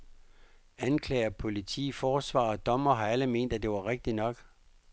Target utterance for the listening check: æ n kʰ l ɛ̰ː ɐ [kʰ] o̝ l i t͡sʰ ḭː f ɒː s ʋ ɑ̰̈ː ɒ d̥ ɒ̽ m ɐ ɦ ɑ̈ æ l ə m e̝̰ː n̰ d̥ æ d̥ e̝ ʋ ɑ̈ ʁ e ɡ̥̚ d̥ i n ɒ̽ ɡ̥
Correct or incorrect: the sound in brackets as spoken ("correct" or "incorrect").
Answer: incorrect